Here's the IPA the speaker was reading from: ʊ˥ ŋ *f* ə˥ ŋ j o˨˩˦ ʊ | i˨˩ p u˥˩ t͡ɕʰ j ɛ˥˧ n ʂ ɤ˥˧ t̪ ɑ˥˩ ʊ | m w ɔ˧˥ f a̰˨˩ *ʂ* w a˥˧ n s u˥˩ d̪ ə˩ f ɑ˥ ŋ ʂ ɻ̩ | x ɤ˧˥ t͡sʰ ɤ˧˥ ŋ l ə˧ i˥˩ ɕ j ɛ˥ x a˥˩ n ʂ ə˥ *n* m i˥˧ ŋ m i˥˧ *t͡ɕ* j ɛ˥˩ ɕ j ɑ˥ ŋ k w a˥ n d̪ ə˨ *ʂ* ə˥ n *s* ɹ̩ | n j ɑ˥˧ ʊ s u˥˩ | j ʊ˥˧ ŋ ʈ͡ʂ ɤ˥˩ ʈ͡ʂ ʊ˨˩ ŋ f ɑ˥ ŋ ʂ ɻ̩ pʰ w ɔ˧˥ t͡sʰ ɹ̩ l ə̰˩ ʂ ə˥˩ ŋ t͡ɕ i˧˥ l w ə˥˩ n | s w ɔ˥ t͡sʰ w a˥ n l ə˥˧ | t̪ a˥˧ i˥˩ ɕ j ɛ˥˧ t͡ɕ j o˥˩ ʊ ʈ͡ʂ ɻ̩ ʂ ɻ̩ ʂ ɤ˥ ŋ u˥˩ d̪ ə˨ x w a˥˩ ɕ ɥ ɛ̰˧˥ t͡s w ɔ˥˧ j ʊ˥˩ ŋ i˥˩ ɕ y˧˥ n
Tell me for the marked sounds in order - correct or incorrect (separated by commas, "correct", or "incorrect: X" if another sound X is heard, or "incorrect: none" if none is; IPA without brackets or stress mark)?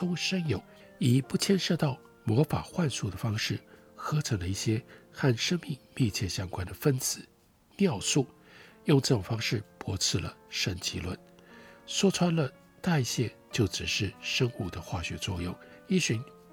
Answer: incorrect: ʂ, incorrect: x, incorrect: ŋ, incorrect: t͡ɕʰ, incorrect: f, incorrect: t͡s